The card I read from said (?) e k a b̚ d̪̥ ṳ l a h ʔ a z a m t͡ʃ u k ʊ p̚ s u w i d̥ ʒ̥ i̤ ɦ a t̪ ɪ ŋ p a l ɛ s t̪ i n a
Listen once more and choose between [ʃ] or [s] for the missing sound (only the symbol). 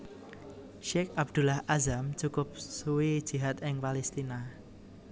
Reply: ʃ